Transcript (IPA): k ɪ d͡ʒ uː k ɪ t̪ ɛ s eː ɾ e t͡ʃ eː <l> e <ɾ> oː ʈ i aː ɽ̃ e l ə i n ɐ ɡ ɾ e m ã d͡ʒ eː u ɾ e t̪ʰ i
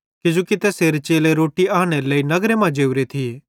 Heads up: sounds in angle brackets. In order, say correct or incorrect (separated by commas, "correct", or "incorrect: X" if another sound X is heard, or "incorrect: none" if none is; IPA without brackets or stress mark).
correct, correct